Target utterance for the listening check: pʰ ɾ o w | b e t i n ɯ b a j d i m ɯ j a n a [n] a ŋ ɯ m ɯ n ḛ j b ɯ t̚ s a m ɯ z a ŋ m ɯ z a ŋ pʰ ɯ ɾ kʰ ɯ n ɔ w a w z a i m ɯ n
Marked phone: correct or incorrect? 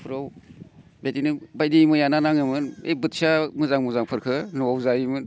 correct